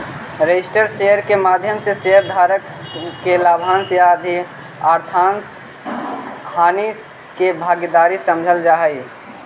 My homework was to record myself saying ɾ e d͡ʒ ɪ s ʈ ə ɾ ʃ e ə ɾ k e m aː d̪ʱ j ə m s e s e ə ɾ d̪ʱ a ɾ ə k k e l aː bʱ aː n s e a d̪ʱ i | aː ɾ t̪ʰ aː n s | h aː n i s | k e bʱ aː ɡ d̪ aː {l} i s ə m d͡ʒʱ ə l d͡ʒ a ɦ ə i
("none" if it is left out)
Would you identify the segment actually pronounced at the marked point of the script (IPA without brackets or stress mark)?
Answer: ɾ